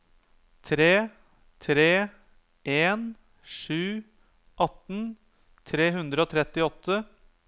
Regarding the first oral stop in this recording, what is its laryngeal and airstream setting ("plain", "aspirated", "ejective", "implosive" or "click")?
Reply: aspirated